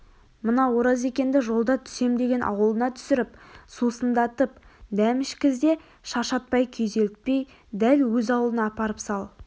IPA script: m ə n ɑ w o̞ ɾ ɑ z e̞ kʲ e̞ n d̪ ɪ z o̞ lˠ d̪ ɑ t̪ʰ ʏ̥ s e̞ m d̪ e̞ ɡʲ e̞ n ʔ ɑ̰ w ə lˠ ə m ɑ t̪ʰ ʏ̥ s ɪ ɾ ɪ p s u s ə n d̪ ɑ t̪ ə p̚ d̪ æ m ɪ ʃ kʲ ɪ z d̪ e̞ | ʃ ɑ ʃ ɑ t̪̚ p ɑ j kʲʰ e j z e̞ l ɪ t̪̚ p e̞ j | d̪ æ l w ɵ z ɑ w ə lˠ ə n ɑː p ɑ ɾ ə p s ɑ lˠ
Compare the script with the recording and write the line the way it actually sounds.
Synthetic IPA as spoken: m ə n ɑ w o̞ ɾ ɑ z e̞ kʲ e̞ n d̪ ɪ ʒ o̞ lˠ d̪ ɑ t̪ʰ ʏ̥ s e̞ m d̪ e̞ ɡʲ e̞ n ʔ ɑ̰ w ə lˠ ə n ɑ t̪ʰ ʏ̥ s ɪ ɾ ɪ p s u s ə n d̪ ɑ t̪ ə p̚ d̪ æ m ɪ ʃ kʲ ɪ z d̪ e̞ | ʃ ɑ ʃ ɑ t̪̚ p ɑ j kʲʰ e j z e̞ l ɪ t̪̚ p e̞ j | d̪ æ l w ɵ z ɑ w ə lˠ ə n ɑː p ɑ ɾ ə p s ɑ lˠ